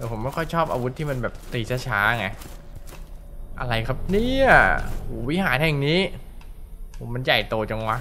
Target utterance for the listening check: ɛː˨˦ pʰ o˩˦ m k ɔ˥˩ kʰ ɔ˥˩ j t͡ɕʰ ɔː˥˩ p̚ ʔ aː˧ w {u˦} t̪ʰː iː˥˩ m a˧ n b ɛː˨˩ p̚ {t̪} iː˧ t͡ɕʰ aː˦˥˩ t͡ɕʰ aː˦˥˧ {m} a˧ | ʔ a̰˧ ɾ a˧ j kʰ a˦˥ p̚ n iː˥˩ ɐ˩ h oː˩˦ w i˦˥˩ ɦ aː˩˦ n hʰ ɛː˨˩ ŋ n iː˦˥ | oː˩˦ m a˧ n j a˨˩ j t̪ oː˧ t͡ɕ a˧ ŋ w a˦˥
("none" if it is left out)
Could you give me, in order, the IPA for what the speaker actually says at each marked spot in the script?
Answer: u˦, t̪, ŋ

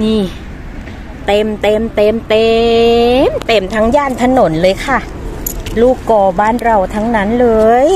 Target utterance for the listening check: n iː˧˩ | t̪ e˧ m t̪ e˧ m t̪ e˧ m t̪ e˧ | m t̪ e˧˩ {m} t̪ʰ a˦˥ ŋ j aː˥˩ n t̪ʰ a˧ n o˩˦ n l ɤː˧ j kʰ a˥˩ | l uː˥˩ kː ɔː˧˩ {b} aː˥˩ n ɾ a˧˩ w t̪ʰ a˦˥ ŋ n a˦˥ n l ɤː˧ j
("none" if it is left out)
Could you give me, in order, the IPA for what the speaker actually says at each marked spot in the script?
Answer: m, b

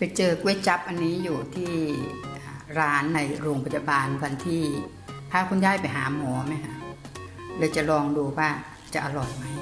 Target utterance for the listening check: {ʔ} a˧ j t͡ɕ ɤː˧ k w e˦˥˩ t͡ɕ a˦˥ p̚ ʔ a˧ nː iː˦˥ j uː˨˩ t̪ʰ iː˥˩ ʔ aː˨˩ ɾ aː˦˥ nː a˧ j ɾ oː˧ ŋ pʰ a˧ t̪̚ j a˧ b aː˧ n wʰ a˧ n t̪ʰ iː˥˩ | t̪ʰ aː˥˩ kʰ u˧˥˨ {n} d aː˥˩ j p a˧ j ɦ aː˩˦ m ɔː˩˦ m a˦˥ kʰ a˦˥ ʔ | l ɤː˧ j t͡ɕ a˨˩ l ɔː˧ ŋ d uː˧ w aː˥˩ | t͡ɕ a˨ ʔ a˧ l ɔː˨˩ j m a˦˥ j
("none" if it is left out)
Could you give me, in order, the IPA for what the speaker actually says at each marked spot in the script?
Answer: p, n

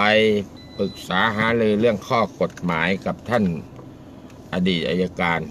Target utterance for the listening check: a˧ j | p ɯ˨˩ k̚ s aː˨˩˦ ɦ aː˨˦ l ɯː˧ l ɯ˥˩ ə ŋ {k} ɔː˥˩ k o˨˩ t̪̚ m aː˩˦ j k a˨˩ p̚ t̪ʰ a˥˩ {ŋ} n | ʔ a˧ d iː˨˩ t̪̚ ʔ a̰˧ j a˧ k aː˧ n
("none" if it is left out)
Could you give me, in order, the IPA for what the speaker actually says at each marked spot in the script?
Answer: kʰ, none

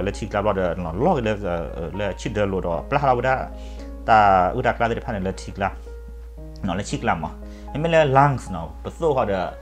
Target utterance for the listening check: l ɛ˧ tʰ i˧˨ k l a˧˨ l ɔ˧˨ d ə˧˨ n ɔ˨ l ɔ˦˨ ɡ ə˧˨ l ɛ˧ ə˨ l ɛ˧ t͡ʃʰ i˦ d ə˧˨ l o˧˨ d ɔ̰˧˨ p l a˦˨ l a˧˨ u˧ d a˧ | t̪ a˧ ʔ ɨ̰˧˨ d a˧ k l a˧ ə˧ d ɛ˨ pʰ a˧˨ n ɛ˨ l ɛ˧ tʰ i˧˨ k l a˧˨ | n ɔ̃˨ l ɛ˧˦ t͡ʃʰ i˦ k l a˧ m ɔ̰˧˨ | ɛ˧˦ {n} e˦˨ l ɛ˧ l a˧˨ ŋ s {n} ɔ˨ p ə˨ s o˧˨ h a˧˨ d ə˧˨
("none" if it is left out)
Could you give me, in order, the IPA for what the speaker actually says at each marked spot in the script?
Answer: m, n

